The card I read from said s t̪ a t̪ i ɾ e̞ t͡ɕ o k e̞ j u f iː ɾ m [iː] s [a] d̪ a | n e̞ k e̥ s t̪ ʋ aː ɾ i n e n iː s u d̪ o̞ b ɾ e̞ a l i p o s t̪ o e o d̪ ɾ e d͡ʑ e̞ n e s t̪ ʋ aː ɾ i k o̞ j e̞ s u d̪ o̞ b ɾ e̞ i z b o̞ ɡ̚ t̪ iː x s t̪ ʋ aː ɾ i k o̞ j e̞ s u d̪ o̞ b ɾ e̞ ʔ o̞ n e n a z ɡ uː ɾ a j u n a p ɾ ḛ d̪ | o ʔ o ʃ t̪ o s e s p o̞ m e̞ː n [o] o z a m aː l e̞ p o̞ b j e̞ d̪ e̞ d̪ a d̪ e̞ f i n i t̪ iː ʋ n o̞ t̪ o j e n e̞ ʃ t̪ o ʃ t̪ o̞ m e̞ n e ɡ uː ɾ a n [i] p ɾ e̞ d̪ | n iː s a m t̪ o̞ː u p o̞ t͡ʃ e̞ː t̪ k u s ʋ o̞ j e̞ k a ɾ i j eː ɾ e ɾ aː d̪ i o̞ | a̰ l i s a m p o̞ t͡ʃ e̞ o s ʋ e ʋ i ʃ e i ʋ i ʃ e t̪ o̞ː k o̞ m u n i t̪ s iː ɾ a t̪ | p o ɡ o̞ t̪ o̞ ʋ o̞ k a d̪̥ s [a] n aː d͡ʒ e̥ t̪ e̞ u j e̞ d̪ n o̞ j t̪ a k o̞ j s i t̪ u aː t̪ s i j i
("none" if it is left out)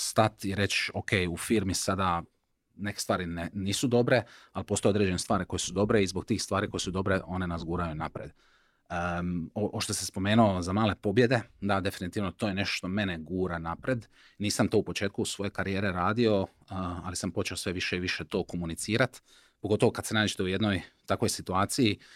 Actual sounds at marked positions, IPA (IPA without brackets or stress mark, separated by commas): i, a, u, a, e